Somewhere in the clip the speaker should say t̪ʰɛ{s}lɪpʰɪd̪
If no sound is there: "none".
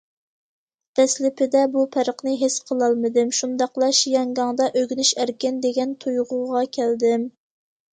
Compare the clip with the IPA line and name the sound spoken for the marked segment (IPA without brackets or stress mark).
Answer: s